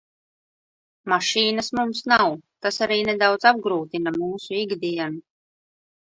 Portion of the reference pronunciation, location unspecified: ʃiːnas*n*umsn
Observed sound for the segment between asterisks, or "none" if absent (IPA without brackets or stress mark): m